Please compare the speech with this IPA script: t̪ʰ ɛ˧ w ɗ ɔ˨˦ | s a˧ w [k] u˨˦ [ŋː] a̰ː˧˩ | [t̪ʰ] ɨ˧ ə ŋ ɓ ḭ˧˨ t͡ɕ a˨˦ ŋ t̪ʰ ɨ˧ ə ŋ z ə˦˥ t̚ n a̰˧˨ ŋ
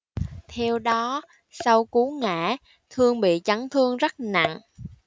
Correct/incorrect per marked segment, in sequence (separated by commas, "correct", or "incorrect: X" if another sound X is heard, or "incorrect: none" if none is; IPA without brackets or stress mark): correct, incorrect: ŋ, correct